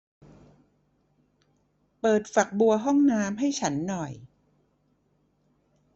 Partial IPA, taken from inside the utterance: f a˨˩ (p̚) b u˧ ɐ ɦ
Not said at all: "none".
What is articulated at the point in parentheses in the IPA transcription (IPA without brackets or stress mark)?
k̚